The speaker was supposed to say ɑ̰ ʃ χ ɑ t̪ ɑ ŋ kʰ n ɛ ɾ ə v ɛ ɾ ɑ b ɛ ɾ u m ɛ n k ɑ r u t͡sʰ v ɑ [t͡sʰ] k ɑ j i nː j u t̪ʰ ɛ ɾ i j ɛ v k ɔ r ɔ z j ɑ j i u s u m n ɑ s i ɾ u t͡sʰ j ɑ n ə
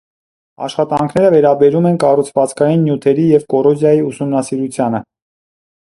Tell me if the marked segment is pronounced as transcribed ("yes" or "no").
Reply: no